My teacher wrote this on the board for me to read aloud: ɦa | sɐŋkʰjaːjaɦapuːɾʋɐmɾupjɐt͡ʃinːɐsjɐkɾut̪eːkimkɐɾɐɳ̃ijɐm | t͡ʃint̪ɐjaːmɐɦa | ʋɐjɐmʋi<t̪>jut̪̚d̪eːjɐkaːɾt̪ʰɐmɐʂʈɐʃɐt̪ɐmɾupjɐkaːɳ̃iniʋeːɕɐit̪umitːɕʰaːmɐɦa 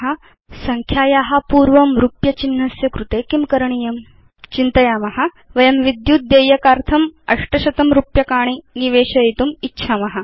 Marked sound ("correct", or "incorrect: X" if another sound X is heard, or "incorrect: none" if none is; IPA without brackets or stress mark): incorrect: d̪